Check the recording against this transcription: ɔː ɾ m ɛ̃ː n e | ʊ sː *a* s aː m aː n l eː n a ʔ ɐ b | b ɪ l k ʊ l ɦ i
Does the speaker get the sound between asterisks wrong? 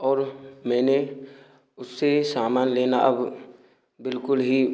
yes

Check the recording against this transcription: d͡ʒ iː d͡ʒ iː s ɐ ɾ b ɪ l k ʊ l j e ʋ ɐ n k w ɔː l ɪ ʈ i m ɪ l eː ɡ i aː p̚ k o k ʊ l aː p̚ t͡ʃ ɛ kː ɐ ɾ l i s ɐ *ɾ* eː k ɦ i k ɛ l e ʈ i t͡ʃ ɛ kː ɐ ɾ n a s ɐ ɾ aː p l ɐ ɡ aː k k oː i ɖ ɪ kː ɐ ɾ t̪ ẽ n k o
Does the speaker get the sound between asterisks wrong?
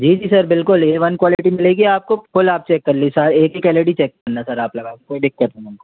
no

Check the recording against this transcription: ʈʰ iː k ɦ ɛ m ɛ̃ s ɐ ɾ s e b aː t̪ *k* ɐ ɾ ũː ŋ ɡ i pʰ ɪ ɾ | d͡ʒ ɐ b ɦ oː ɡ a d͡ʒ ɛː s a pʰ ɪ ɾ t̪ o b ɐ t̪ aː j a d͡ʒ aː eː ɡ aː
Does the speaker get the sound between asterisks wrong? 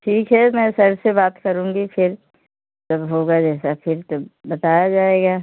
no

